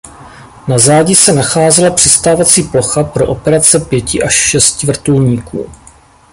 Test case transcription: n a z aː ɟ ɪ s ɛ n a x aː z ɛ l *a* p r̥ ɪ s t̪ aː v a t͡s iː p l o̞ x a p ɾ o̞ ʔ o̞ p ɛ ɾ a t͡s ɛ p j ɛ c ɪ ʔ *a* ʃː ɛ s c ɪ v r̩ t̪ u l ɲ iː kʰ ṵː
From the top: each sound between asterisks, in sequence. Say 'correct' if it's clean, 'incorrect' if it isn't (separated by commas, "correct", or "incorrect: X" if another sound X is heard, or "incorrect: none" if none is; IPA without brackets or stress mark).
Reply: correct, correct